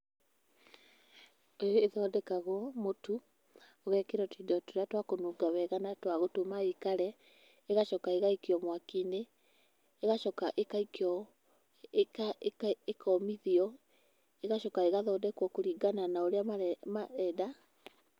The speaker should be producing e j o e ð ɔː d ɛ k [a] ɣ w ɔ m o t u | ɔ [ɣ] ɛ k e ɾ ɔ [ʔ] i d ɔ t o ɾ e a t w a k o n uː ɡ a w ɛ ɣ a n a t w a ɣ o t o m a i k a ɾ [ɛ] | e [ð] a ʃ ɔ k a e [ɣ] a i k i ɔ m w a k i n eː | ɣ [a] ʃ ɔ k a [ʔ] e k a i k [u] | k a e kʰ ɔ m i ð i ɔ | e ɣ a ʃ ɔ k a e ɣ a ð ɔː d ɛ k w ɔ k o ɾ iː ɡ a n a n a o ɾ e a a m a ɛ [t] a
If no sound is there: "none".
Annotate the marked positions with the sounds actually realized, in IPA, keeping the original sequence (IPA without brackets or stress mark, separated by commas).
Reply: a, ɣ, t, ɛ, ɣ, ɣ, a, ʔ, ɔ, d